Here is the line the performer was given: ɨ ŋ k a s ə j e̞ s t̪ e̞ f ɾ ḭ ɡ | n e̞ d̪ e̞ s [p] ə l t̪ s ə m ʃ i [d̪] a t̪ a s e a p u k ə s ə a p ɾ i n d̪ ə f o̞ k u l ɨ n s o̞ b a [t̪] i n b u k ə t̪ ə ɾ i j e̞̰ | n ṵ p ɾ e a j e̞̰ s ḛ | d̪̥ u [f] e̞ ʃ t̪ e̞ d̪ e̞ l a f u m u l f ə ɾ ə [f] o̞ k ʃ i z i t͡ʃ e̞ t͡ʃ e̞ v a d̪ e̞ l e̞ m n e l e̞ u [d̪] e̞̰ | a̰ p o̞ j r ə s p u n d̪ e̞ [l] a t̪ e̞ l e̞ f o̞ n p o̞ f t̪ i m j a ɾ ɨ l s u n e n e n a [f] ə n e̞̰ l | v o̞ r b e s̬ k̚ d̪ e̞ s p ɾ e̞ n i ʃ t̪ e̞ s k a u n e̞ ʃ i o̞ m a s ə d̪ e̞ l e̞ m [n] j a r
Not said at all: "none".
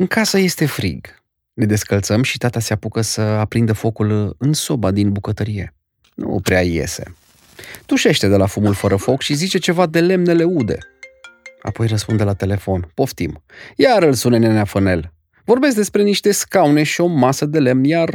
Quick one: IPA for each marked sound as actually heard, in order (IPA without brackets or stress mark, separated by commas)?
k, t̪, d̪, ʃ, f, d̪, l, f, n